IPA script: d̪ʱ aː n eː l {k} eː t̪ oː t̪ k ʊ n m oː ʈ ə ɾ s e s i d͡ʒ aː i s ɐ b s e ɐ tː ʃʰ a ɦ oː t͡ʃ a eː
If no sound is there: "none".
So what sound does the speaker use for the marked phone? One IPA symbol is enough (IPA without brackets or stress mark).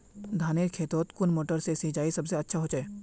kʰ